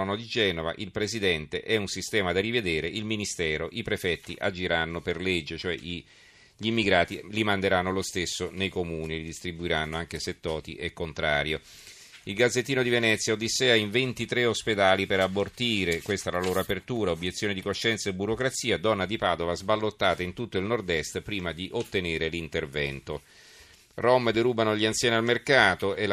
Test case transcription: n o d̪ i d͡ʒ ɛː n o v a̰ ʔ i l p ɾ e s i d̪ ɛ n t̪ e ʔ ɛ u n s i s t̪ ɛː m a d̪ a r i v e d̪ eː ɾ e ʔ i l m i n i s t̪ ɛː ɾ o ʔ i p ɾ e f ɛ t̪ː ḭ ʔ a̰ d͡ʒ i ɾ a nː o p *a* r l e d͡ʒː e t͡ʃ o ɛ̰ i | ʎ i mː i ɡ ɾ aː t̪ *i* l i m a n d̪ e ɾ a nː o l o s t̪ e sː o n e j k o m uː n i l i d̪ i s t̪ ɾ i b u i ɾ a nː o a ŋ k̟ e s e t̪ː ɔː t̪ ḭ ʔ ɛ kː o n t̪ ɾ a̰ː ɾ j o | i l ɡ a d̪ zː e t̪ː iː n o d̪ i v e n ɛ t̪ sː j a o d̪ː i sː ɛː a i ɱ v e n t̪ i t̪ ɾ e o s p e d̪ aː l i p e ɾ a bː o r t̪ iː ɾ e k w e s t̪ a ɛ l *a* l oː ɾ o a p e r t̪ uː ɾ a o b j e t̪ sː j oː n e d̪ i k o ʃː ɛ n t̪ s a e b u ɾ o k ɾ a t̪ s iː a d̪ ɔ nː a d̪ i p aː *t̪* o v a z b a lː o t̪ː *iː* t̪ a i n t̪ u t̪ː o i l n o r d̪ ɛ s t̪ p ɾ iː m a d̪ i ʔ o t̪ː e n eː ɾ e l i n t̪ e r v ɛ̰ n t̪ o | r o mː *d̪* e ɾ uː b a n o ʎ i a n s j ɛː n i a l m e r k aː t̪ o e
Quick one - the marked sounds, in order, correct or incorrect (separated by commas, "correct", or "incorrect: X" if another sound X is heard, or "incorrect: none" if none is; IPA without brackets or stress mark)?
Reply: incorrect: e, correct, correct, incorrect: d̪, incorrect: aː, correct